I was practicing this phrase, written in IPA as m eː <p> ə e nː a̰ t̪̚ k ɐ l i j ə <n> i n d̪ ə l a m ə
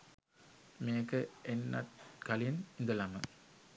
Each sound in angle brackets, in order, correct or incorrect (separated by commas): incorrect, correct